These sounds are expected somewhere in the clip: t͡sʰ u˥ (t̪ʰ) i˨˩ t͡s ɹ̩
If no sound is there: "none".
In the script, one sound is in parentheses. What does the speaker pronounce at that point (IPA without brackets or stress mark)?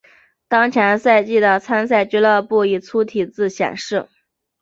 t̪ʰ